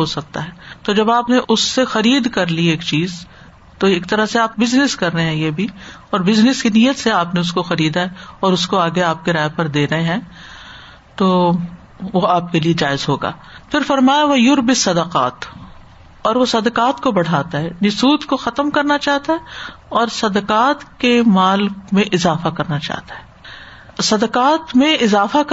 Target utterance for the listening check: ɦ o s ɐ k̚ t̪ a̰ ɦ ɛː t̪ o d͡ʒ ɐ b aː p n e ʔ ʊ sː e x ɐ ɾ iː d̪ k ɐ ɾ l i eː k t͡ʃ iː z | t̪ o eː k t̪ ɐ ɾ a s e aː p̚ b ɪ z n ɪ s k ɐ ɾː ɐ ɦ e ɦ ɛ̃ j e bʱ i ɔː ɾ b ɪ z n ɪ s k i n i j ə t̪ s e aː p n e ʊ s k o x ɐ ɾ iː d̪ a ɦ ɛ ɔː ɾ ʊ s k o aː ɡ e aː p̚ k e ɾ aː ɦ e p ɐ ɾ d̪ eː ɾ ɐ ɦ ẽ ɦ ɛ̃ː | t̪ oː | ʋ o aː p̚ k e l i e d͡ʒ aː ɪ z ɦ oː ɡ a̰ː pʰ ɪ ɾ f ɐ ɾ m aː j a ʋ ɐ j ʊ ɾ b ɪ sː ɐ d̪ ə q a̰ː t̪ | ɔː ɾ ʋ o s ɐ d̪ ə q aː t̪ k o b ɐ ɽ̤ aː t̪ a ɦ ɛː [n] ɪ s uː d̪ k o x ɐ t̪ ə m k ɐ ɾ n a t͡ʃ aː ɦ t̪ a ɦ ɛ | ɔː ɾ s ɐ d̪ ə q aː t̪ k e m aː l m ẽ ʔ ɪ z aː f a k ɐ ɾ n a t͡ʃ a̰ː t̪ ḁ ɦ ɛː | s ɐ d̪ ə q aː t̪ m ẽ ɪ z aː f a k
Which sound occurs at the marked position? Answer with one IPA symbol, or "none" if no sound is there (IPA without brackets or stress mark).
n